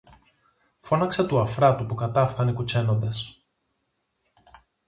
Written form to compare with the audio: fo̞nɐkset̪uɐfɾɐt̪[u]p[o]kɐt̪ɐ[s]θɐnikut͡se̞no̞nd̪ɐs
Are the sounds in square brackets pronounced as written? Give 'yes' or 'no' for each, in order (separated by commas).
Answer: yes, no, no